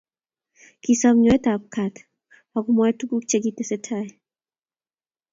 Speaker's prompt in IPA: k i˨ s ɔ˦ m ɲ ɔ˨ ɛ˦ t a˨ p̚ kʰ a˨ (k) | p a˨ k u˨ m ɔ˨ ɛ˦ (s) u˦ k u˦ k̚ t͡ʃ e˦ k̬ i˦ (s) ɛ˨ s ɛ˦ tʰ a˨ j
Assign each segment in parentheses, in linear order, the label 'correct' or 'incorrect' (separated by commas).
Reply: incorrect, incorrect, incorrect